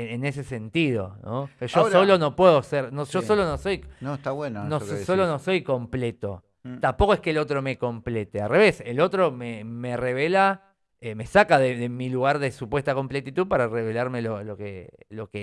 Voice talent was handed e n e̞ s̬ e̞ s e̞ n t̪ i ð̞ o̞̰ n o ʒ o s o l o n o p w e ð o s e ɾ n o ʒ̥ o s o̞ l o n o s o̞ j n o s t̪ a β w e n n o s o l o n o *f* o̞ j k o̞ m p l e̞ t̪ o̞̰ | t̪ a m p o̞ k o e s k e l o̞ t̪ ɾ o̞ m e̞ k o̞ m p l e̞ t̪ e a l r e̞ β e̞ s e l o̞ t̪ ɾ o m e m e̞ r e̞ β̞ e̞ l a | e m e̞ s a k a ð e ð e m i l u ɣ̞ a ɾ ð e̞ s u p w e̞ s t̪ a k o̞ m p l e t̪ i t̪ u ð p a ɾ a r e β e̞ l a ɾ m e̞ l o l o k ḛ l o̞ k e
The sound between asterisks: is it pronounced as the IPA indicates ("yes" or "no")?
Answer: no